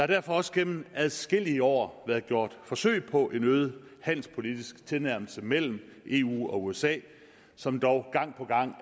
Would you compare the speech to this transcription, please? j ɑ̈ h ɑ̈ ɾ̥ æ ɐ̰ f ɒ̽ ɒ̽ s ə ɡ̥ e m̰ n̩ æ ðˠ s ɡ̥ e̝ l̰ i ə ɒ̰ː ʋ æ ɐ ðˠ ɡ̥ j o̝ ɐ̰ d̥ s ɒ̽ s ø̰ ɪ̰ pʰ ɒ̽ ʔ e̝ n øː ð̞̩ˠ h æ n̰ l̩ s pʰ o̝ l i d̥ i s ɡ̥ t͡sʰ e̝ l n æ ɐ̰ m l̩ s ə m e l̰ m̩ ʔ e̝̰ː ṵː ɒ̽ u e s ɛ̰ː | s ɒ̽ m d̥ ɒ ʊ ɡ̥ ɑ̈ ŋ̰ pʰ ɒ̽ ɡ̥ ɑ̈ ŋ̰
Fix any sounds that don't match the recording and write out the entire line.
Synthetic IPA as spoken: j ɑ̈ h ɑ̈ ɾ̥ æ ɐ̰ f ɒ̽ ɒ̽ s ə ɡ̥ e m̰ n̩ æ ðˠ s ɡ̥ e̝ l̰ i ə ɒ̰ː ʋ æ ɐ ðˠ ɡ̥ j o̝ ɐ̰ d̥ f ɒ̽ s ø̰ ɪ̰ pʰ ɒ̽ ʔ e̝ n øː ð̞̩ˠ h æ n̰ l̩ s pʰ o̝ l i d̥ i s ɡ̥ t͡sʰ e̝ l n æ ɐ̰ m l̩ s ə m e l̰ m̩ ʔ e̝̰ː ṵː ɒ̽ u e s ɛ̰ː | s ɒ̽ m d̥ ɒ ʊ ɡ̥ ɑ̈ ŋ̰ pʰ ɒ̽ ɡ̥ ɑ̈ ŋ̰

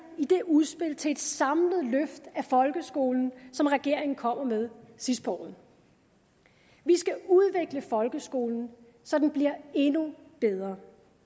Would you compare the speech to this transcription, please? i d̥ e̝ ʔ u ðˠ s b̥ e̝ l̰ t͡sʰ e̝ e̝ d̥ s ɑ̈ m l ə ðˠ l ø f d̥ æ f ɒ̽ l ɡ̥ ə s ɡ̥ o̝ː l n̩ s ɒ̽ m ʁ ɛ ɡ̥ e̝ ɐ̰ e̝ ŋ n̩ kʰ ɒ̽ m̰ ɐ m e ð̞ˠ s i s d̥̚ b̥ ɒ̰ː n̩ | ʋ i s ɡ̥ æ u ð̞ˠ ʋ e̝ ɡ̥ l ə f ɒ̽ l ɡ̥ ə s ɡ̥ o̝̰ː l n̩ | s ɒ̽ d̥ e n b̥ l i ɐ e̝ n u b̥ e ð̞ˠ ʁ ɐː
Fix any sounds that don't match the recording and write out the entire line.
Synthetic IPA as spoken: i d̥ e̝ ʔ u ðˠ s b̥ e̝ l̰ t͡sʰ e̝ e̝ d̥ s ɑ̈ m l ə ðˠ l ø f d̥ æ f ɒ̽ l ɡ̥ ə s ɡ̥ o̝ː l n̩ s ɒ̽ m ʁ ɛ ɡ̥ e̝ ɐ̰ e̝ ŋ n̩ kʰ ɒ̽ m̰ ɐ m e ð̞ˠ s i s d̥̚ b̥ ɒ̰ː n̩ | ʋ i s ɡ̥ æ u ð̞ˠ ʋ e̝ ɡ̥ l ə f ɒ̽ l ɡ̥ ə s ɡ̥ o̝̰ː l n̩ | s ɒ̽ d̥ e n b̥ l i ɐ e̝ n u b̥ e ð̞ˠ ʁ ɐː

